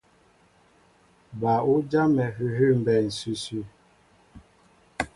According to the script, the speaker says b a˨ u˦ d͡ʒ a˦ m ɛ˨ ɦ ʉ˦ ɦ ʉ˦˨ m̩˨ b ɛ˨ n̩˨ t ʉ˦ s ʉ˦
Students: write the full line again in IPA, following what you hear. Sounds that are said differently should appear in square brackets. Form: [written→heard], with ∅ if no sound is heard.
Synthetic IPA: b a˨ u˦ d͡ʒ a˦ m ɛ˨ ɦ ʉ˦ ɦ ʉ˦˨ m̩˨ b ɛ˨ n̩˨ [t→s] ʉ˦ s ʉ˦